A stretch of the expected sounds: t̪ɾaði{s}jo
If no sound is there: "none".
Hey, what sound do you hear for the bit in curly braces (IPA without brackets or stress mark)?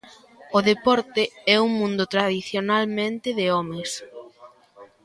θ